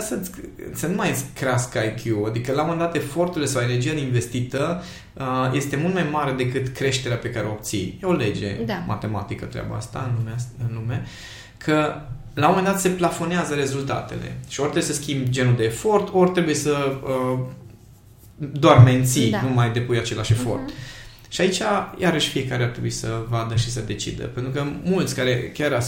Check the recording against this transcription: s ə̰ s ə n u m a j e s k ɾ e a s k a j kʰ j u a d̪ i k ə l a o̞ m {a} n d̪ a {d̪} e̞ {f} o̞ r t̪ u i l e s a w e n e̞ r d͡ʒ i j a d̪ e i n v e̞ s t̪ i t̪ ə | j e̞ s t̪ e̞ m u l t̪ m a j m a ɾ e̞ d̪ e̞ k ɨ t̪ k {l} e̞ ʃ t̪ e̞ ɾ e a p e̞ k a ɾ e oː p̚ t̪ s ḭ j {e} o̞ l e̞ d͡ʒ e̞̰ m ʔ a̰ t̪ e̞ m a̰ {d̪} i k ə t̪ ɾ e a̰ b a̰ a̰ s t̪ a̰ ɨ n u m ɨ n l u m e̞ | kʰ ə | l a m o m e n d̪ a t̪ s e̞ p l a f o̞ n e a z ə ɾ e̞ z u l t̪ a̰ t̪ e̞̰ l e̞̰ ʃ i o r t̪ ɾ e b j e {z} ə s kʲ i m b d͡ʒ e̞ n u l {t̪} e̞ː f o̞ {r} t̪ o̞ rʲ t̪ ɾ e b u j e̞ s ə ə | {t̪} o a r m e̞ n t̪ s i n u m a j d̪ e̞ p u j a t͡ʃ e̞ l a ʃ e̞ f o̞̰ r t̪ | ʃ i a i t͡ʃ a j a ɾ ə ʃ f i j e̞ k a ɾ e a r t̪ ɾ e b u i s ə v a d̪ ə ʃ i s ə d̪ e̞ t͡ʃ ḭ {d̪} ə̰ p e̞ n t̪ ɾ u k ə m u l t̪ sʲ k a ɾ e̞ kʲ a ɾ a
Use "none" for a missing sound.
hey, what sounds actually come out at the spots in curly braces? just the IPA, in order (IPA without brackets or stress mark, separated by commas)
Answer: e, t̪, f, ɾ, e, t̪, s, d̪, r, d̪, d̪